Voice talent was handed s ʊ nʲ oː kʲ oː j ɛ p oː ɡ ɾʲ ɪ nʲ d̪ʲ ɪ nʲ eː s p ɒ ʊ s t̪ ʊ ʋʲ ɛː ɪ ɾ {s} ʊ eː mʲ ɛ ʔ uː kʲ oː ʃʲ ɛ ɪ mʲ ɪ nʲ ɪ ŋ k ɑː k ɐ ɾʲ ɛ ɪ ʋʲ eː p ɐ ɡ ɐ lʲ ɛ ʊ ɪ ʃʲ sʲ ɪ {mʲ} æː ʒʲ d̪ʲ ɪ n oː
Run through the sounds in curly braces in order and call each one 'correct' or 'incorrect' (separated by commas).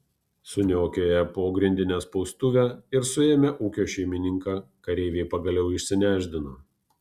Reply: correct, incorrect